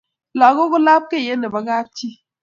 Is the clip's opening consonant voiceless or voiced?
voiced